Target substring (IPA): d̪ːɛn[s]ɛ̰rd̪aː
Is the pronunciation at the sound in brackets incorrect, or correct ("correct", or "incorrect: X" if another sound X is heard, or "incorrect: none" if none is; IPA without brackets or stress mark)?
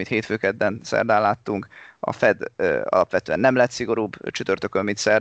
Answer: correct